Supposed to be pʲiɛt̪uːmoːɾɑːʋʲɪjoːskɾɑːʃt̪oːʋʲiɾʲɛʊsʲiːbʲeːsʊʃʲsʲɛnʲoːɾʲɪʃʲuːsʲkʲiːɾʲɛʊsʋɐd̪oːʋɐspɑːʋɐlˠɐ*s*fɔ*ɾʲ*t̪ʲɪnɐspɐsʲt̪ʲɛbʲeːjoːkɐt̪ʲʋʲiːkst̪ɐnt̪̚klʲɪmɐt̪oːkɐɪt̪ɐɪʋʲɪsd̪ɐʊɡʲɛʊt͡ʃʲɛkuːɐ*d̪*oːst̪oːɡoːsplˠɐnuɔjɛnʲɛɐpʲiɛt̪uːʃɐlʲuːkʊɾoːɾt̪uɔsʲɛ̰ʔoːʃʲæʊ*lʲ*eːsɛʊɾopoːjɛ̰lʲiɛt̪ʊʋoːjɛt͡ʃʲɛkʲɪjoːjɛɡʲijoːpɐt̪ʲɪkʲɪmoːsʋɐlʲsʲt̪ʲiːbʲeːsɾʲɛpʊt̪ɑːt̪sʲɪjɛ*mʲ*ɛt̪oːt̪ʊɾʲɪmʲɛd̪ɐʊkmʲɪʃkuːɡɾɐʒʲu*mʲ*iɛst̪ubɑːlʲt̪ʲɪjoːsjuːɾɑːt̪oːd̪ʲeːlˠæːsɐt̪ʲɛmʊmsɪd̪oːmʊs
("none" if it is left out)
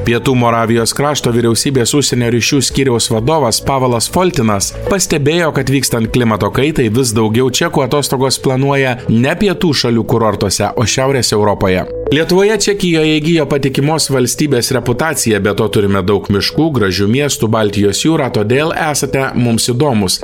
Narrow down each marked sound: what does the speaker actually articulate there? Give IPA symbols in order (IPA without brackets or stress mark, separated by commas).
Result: s, lʲ, t̪, ɾʲ, bʲ, mʲ